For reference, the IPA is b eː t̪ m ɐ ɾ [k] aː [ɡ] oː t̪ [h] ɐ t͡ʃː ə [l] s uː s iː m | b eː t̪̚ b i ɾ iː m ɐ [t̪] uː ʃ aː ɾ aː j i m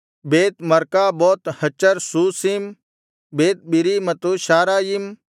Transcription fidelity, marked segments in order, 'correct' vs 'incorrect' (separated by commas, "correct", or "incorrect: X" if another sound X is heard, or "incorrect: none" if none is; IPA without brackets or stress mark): correct, incorrect: b, correct, incorrect: ɾ, correct